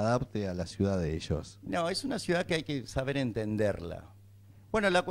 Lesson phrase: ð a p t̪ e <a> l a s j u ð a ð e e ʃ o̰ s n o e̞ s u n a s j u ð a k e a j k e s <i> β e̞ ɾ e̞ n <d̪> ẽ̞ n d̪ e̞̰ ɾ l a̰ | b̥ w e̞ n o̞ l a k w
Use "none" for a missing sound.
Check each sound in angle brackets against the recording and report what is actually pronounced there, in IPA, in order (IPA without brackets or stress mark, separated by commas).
a, a, t̪